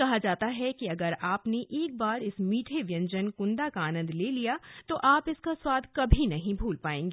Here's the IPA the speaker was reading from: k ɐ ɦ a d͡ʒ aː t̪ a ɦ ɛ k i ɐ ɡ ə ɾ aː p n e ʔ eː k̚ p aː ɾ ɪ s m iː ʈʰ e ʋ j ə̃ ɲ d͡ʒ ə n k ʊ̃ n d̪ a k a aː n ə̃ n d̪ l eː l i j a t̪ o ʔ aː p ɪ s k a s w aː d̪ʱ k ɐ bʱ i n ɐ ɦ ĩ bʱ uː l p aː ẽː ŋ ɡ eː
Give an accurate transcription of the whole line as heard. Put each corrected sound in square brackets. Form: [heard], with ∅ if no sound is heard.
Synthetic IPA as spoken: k ɐ ɦ a d͡ʒ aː t̪ a ɦ ɛ k i ɐ ɡ ə ɾ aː p n e ʔ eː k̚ [b] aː ɾ ɪ s m iː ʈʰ e ʋ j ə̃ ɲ d͡ʒ ə n k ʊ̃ n d̪ a k a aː n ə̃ n d̪ l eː l i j a t̪ o ʔ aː p ɪ s k a s w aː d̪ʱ k ɐ bʱ i n ɐ ɦ ĩ bʱ uː l p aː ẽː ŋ ɡ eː